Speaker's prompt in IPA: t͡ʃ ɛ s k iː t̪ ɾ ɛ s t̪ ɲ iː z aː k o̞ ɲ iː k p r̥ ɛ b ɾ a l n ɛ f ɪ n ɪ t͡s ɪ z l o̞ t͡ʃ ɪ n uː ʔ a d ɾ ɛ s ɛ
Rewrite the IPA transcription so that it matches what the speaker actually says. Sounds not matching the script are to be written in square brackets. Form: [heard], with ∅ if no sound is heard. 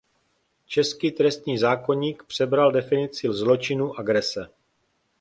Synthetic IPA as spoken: t͡ʃ ɛ s k iː t̪ ɾ ɛ s t̪ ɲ iː z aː k o̞ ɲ iː k p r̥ ɛ b ɾ a l [d] ɛ f ɪ n ɪ t͡s ɪ z l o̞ t͡ʃ ɪ n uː ʔ a [ɡ] ɾ ɛ s ɛ